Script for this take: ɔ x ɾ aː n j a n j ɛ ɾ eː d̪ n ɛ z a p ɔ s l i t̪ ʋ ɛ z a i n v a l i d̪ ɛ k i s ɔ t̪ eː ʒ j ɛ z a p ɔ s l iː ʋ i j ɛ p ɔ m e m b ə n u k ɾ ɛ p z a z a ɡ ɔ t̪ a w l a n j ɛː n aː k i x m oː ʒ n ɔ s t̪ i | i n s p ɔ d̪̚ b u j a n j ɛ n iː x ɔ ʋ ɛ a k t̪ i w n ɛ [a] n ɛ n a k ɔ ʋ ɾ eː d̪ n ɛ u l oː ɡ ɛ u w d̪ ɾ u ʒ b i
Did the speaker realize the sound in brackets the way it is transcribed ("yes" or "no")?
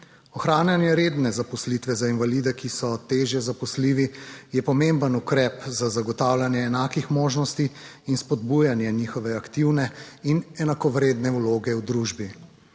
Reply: no